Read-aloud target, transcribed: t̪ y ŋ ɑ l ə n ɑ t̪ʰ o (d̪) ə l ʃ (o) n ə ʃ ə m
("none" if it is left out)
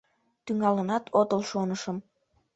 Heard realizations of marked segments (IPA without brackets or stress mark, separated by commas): t̪, o